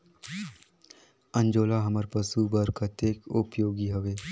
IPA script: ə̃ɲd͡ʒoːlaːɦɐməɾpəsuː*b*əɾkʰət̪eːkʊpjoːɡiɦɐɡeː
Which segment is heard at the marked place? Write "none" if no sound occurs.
b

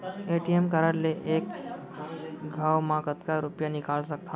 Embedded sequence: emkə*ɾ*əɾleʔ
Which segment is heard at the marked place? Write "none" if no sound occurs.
ɾ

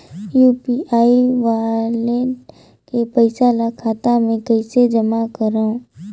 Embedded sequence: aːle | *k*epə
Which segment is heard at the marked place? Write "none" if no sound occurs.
k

